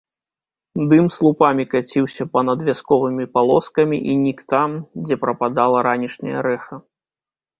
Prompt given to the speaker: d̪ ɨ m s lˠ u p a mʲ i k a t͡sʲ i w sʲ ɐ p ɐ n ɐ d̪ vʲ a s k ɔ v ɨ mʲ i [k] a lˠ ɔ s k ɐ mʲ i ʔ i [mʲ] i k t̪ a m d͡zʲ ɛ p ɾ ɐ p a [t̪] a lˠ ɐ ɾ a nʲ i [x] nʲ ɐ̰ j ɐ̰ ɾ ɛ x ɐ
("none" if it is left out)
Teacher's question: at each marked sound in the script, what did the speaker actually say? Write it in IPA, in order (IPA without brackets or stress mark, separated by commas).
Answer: p, nʲ, d̪, ʂ